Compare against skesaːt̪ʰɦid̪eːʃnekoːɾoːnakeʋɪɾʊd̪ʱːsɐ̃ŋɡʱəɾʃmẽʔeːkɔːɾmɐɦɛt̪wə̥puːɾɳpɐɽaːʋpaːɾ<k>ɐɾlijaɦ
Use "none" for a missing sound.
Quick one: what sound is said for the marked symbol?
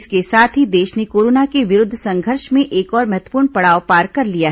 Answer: k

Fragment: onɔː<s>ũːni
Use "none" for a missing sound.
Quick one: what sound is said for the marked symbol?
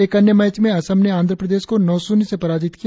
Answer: s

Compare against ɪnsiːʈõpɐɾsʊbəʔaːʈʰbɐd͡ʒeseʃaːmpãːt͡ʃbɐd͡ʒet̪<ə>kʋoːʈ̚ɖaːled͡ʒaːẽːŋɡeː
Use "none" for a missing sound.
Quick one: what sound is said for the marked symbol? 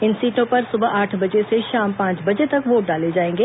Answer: ɐ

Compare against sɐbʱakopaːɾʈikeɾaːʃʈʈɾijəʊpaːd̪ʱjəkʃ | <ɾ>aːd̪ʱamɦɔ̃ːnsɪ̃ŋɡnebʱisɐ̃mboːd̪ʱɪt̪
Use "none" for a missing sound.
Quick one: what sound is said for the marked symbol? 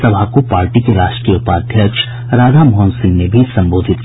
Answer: ɾ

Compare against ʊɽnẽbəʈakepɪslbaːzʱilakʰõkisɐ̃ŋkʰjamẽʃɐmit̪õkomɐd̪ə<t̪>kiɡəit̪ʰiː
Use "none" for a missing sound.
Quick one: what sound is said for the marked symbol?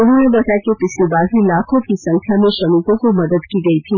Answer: d̪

